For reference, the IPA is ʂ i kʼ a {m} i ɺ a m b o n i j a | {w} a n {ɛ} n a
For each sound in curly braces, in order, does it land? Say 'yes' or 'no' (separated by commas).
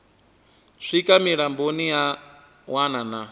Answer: yes, yes, no